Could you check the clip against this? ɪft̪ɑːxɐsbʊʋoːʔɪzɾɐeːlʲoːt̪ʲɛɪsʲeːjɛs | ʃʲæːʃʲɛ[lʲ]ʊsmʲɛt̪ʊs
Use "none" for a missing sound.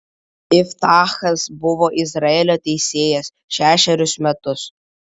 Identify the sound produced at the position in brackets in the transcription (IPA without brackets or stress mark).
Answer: ɾʲ